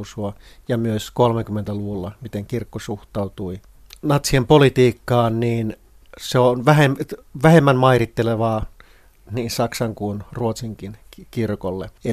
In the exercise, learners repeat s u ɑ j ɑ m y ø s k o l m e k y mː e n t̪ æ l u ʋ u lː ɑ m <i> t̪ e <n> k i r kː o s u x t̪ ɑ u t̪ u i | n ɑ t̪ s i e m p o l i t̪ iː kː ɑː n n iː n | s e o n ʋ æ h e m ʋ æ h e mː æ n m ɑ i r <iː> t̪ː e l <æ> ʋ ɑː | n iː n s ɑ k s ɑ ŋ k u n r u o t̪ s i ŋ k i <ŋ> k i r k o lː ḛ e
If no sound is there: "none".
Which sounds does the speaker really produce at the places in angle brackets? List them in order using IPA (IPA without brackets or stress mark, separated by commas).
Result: i, ŋ, i, e, n